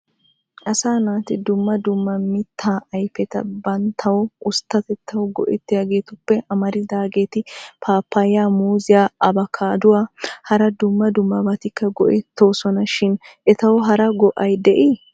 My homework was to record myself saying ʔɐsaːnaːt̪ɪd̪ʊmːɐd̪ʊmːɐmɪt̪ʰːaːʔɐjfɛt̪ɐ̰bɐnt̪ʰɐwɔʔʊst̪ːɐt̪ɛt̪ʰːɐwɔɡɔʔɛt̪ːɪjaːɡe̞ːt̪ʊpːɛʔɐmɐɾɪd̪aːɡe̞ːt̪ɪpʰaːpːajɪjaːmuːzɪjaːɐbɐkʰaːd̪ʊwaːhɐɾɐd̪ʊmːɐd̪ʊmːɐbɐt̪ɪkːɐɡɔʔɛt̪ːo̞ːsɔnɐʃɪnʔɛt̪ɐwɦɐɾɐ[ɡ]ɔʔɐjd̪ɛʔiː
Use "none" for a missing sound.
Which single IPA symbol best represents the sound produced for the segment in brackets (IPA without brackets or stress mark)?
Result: ɡ